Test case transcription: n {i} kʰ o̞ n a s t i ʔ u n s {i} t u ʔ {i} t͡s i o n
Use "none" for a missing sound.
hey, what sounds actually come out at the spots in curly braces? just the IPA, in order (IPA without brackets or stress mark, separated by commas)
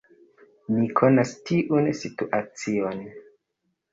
i, i, a